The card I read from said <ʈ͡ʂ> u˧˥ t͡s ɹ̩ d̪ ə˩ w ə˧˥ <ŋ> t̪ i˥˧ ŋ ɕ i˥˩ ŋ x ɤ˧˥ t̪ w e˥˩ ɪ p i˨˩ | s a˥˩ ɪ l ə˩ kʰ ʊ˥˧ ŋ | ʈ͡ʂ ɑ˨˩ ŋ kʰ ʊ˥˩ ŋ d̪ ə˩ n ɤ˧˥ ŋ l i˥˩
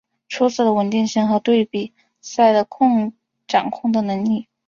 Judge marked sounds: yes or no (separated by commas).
no, no